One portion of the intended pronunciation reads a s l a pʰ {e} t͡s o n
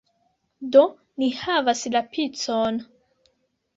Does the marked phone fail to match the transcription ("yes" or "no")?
yes